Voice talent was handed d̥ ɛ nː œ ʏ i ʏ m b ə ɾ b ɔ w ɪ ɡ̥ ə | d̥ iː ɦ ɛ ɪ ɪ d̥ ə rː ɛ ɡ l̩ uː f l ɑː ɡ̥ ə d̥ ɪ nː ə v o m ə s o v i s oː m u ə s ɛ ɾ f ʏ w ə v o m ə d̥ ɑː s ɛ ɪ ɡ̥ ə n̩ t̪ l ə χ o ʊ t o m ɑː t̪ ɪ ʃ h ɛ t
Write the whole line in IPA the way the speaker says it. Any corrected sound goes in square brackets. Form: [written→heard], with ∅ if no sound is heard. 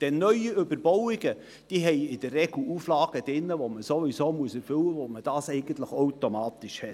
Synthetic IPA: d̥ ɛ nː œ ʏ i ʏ [m→∅] b ə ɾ b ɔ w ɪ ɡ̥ ə | d̥ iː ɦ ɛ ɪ ɪ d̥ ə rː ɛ ɡ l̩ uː f l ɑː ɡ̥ ə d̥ ɪ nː ə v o m ə s o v i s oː m u ə s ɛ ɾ f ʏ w ə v o m ə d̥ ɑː s ɛ ɪ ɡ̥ ə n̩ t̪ l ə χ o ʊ t o m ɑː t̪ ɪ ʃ h ɛ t

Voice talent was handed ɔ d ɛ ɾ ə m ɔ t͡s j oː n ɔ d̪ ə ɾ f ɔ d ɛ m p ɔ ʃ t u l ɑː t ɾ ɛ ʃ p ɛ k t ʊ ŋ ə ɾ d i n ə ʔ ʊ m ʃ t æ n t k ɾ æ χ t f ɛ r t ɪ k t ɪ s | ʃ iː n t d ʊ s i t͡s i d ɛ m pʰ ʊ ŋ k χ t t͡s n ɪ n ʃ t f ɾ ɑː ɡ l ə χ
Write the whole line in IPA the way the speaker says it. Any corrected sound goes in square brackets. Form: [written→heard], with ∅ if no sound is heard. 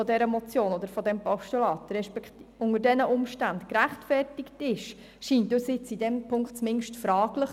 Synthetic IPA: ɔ d ɛ ɾ ə m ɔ t͡s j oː n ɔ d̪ ə ɾ f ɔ d ɛ m p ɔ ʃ t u l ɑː t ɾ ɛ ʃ p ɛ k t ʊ ŋ ə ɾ d [i→ɛ] n ə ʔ ʊ m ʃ t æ n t k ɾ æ χ t f ɛ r t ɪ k t ɪ [s→ʃ] | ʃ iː n t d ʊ s [i→ɪ] t͡s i d ɛ m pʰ ʊ ŋ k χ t t͡s [n→m] ɪ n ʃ t f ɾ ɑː ɡ l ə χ

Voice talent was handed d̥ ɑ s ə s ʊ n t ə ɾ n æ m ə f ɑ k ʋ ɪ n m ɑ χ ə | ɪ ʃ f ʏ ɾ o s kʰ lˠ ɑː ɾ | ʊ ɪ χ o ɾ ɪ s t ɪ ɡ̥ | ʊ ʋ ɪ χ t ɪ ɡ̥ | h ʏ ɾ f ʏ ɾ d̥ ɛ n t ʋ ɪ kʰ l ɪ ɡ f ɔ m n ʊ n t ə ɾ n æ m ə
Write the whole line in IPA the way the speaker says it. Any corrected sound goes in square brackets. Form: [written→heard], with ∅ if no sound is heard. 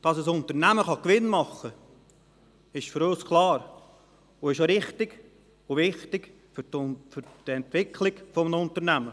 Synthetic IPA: d̥ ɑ s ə s ʊ n t ə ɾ n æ m ə [f→χ] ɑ k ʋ ɪ n m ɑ χ ə | ɪ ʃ f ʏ ɾ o s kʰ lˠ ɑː ɾ | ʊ ɪ [χ→ʃ] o ɾ ɪ [s→χ] t ɪ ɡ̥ | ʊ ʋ ɪ χ t ɪ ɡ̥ | [h→f] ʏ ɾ f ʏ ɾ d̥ ɛ n t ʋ ɪ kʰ l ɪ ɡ f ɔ m n ʊ n t ə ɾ n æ m ə

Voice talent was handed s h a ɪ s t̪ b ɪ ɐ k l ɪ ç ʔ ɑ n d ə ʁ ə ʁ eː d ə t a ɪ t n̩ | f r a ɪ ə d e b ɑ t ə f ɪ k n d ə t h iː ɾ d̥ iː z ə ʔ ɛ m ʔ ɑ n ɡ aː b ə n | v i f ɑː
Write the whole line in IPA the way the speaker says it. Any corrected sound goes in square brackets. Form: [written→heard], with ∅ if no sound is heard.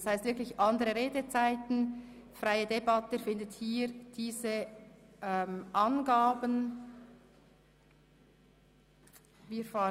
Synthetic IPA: s h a ɪ s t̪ [b→v] ɪ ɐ k l ɪ ç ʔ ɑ n d ə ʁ ə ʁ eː d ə [t→t͡s] a ɪ t n̩ | f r a ɪ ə d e b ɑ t ə f ɪ [k→∅] n d ə t h iː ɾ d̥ iː z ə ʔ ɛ m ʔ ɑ n ɡ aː b ə n | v [i→iː] f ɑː

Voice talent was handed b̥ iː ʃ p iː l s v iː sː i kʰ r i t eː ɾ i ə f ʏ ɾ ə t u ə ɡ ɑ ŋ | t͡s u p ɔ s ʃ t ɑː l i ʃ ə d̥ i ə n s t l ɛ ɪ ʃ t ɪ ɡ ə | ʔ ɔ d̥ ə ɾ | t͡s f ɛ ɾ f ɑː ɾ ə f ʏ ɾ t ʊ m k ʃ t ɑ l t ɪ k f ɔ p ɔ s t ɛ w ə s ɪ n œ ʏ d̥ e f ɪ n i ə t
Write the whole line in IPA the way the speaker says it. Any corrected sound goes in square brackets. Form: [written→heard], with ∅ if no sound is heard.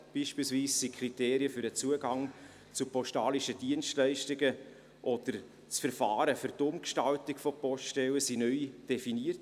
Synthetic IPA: b̥ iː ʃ p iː l s v iː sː i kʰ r i t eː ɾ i ə f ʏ ɾ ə [t→t͡s] u ə ɡ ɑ ŋ | t͡s u p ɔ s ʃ t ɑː l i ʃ ə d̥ i ə n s t l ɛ ɪ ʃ t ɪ ɡ ə | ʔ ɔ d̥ ə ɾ | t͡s f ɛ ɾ f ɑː ɾ ə f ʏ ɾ t ʊ m k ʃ t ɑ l t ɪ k f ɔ p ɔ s t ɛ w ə s [ɪ→i] n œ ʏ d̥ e f [ɪ→i] n i ə t

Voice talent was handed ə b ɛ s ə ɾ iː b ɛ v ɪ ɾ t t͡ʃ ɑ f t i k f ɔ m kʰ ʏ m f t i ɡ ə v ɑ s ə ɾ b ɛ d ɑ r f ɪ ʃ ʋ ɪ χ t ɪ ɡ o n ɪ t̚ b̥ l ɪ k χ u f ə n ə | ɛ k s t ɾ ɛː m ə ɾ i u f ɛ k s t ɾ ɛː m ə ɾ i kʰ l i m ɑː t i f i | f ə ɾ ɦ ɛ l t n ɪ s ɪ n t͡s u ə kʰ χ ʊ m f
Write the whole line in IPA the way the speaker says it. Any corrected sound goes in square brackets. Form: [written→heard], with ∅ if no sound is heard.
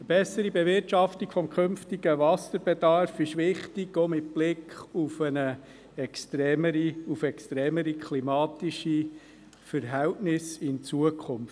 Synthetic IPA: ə b ɛ s ə ɾ [iː→i] b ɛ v ɪ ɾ t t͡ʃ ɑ f t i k f ɔ m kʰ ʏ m f t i ɡ ə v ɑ s ə ɾ b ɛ d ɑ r f ɪ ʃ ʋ ɪ χ t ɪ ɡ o [n→m] ɪ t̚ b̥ l ɪ k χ u f ə n ə | ɛ k s t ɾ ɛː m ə ɾ i u f ɛ k s t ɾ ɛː m ə ɾ i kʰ l i m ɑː t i [f→ʃ] i | f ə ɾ ɦ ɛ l t n ɪ s ɪ n t͡s u ə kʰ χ ʊ m f

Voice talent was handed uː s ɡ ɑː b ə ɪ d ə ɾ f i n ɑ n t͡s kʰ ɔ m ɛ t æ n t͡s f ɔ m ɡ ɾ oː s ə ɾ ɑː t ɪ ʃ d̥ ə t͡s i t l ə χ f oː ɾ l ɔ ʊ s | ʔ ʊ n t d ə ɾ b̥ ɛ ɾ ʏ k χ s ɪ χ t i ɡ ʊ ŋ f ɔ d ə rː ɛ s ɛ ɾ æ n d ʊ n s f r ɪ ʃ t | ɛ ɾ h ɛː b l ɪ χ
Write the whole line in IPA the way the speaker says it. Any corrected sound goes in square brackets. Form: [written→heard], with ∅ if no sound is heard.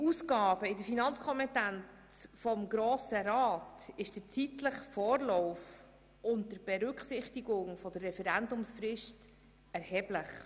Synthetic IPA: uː s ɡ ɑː b ə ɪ d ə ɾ f i n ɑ n t͡s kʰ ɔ m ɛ t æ n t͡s f ɔ m ɡ ɾ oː s ə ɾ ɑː t ɪ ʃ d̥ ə t͡s i t l ə χ f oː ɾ l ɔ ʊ [s→f] | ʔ ʊ n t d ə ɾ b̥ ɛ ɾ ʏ k χ s ɪ χ t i ɡ ʊ ŋ f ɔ d ə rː ɛ [s→f] ɛ ɾ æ n d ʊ [n→m] s f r ɪ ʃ t | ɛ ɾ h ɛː b l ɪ χ

